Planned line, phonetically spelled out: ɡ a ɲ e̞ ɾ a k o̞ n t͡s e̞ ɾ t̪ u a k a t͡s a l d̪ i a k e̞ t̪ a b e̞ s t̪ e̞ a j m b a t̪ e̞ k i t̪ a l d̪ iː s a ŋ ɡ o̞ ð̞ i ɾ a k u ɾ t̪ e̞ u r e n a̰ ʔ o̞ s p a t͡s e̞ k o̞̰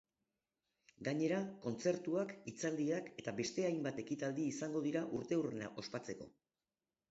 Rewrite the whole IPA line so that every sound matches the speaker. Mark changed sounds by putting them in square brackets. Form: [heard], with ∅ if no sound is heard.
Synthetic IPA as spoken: ɡ a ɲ e̞ ɾ a k o̞ n t͡s e̞ ɾ t̪ u a k [i] t͡s a l d̪ i a k e̞ t̪ a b e̞ s t̪ e̞ a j m b a t̪ e̞ k i t̪ a l d̪ iː s a ŋ ɡ o̞ ð̞ i ɾ a [ʔ] u ɾ t̪ e̞ u r e n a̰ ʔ o̞ s p a t͡s e̞ k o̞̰